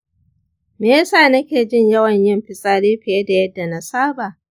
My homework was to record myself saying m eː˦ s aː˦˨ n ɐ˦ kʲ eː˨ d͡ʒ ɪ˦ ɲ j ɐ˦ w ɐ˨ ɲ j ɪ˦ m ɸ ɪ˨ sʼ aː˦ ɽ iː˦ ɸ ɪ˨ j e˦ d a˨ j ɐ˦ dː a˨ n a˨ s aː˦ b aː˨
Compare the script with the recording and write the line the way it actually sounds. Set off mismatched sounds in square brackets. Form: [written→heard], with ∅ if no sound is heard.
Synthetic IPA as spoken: m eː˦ s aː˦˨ n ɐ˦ kʲ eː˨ d͡ʒ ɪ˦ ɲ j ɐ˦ w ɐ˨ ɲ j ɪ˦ m ɸ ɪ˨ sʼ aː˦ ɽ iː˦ ɸ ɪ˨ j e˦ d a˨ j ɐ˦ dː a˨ n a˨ s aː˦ b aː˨